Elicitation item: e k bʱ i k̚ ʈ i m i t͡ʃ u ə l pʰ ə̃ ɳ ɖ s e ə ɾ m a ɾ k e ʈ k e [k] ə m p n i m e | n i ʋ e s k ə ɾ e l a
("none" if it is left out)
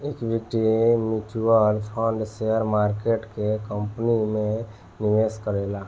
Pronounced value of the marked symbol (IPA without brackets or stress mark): k